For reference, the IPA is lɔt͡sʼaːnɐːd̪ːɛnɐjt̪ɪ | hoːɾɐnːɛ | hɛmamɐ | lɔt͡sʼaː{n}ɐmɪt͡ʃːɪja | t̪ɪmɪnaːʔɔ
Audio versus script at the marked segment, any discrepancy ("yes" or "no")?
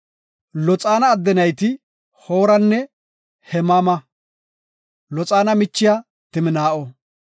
no